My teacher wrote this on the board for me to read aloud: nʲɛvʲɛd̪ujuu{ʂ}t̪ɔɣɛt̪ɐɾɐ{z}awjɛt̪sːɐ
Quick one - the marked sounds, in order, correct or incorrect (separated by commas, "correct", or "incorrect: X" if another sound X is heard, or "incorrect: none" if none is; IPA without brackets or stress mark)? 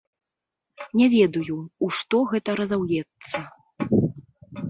correct, correct